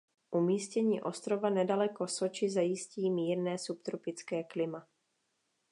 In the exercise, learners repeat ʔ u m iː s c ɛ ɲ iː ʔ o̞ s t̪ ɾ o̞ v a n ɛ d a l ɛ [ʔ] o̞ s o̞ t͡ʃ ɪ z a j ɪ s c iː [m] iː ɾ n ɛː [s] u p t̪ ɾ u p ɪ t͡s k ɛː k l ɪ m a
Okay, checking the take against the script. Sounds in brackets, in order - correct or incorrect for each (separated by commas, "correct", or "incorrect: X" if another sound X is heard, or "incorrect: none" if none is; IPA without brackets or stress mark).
incorrect: k, correct, correct